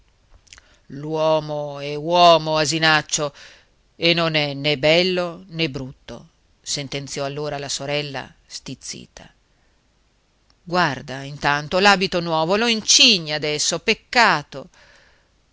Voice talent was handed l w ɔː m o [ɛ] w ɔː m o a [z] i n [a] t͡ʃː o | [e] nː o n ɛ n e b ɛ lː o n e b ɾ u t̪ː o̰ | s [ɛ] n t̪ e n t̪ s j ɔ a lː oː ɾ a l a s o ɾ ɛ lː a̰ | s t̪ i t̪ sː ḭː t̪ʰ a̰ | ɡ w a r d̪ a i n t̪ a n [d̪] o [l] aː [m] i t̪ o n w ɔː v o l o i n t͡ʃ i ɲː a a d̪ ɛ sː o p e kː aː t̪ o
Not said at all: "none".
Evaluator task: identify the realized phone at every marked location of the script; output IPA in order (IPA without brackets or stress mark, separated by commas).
ɛ, z, a, e, e, t̪, l, b